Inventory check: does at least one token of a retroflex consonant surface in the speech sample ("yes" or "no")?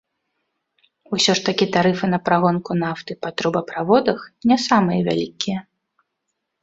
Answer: yes